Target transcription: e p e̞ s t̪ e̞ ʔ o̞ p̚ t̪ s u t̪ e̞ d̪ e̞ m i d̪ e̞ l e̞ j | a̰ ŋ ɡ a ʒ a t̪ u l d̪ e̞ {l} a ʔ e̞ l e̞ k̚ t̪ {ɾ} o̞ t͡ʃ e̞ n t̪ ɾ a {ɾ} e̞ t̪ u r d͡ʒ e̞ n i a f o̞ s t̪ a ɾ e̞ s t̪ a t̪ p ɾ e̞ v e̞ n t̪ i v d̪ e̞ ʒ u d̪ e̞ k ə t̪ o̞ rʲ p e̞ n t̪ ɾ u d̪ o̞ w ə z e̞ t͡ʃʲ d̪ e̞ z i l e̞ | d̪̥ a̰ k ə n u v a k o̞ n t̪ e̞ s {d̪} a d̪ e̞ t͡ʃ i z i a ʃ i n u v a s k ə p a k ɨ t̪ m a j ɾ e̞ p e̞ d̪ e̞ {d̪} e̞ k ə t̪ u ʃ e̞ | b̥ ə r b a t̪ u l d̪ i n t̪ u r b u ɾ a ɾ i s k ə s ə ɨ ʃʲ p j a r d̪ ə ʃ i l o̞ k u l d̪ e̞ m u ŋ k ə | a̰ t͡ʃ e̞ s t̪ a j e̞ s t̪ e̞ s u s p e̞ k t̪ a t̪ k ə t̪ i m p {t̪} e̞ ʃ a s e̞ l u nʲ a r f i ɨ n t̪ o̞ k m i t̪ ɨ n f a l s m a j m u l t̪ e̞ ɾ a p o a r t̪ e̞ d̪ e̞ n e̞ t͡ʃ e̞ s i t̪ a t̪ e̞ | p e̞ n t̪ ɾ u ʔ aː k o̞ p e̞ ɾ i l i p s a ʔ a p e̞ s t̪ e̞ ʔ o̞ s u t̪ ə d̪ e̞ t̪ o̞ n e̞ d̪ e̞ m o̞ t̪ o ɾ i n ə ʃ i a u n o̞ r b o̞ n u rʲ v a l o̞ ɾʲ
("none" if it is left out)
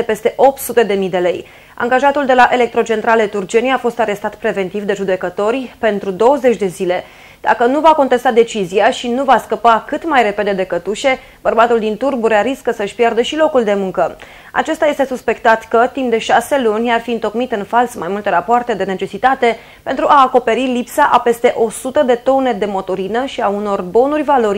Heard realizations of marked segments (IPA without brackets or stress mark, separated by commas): l, ɾ, l, t̪, d̪, d̪